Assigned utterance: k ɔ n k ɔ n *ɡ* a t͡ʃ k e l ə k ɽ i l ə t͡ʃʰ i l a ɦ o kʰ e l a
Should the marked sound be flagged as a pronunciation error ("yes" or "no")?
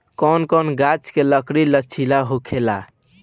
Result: no